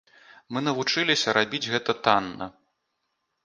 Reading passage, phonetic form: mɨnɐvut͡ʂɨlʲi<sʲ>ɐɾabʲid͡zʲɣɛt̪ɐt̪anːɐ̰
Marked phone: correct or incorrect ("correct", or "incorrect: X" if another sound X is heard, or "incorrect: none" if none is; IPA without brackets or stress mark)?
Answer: correct